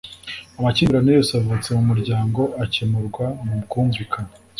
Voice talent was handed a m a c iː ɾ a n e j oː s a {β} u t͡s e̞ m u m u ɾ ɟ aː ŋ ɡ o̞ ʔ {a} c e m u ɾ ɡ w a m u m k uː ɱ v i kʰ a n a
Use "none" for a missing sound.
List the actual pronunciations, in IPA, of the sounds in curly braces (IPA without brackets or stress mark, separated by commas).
v, a